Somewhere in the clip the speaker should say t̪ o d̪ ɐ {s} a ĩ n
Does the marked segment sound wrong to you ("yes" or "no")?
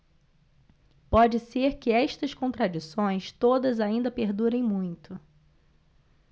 yes